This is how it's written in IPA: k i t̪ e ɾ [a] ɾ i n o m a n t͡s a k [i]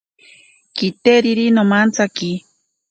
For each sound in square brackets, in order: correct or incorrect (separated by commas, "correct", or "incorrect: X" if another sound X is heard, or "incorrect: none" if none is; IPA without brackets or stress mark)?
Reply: incorrect: i, correct